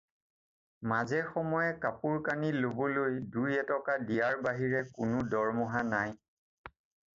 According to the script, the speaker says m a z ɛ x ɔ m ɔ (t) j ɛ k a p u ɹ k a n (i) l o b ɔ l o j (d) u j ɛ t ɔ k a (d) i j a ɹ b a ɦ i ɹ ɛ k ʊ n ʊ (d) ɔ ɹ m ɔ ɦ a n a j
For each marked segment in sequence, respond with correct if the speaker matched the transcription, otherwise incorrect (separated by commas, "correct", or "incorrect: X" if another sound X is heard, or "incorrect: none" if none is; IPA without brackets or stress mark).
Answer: incorrect: none, correct, correct, correct, correct